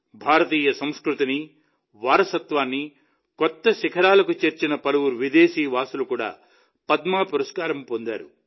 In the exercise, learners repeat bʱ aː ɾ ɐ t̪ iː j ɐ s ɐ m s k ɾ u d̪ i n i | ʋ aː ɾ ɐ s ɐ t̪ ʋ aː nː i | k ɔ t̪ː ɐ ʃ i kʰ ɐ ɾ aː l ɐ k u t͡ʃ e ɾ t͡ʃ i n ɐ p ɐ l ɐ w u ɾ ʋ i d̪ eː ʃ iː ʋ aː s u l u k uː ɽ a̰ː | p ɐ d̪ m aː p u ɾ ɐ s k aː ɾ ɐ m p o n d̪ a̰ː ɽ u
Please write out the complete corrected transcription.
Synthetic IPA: bʱ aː ɾ ɐ t̪ iː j ɐ s ɐ m s k ɾ u t̪ i n i | ʋ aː ɾ ɐ s ɐ t̪ ʋ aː nː i | k ɔ t̪ː ɐ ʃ i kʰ ɐ ɾ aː l ɐ k u t͡ʃ e ɾ t͡ʃ i n ɐ p ɐ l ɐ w u ɾ ʋ i d̪ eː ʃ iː ʋ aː s u l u k uː ɽ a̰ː | p ɐ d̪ m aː p u ɾ ɐ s k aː ɾ ɐ m p o n d̪ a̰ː ɾ u